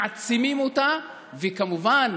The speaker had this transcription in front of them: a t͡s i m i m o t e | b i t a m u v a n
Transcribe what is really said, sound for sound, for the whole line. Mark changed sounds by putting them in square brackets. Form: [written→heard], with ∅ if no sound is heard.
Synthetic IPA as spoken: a t͡s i m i m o t [e→a] | [b→v] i [t→k] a m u v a n